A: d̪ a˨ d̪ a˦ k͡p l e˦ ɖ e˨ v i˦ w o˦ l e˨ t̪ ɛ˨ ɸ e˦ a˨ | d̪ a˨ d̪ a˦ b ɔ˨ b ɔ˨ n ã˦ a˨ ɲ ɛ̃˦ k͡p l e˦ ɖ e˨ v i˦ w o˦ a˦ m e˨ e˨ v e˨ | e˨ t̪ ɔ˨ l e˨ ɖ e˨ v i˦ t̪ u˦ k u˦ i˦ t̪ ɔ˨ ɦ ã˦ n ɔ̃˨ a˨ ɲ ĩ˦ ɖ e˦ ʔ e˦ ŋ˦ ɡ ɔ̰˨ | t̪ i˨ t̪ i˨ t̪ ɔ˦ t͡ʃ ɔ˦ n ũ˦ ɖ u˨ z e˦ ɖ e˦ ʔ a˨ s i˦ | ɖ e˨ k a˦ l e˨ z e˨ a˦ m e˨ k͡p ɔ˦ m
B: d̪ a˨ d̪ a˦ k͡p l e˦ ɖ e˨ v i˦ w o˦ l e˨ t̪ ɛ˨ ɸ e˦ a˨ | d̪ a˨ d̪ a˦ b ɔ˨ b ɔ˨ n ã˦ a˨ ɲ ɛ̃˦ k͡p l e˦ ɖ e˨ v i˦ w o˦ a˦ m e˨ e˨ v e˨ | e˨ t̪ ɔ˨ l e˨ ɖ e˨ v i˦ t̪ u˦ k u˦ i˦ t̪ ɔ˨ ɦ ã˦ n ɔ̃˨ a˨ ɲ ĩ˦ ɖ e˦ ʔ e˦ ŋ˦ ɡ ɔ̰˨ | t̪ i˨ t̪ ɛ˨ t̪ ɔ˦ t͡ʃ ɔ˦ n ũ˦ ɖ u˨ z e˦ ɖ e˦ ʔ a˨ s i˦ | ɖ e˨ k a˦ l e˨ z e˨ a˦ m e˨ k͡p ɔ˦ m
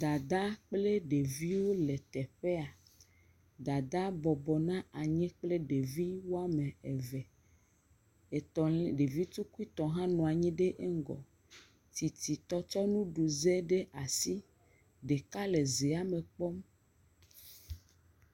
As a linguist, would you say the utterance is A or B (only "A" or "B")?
A